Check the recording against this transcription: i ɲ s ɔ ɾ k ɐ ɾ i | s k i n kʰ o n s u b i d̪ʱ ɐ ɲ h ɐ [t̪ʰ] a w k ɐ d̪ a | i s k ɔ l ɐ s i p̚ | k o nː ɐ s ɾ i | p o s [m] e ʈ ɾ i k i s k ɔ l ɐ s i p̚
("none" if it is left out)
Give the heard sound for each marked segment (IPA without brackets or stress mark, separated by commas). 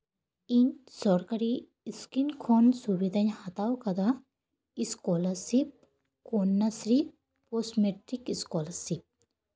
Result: t̪, m